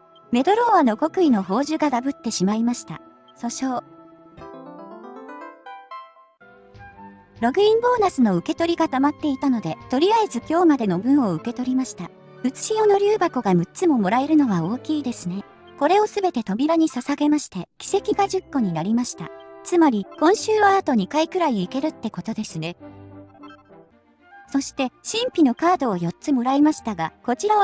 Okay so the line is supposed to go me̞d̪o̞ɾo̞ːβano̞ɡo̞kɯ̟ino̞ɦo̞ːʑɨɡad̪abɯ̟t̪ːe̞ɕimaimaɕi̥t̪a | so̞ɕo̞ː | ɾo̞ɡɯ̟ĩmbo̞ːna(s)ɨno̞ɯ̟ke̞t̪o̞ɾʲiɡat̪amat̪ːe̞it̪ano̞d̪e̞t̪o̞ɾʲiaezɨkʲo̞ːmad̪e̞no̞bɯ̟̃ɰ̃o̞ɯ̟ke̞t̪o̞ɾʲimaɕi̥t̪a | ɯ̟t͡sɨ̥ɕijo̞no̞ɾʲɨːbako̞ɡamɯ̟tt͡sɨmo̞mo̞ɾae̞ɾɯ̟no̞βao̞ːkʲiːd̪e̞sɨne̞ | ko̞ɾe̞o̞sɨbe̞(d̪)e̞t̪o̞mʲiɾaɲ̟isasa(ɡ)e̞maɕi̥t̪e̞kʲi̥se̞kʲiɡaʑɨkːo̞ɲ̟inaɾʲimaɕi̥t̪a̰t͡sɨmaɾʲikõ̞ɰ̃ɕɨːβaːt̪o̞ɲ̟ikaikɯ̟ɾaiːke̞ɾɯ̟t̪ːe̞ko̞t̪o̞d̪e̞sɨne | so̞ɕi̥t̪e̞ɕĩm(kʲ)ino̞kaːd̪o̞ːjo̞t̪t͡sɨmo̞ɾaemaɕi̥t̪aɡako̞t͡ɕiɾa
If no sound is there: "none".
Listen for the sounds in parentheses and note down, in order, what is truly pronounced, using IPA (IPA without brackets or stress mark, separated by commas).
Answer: s, t̪, ɡ, pʲ